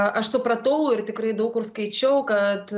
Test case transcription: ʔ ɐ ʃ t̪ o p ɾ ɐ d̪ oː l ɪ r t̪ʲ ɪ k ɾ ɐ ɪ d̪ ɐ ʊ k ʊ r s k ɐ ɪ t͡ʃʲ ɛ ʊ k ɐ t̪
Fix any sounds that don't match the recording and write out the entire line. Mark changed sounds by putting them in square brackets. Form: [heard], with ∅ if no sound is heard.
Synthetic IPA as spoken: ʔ ɐ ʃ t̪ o p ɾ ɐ [t̪] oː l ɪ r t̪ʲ ɪ k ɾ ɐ ɪ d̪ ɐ ʊ k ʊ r s k ɐ ɪ t͡ʃʲ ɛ ʊ k ɐ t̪